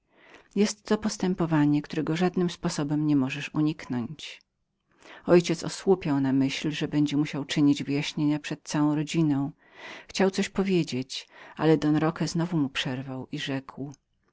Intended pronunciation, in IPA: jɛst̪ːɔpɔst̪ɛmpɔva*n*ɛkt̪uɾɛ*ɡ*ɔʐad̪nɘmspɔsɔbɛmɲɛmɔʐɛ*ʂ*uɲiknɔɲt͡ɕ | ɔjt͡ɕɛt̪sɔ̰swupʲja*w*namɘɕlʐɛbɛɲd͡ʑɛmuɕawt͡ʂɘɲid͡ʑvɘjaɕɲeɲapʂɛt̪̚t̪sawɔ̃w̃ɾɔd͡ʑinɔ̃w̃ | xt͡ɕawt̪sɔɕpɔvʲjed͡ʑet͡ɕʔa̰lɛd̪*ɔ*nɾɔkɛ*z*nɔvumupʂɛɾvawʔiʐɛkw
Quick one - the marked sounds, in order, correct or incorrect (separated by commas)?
incorrect, correct, correct, correct, correct, correct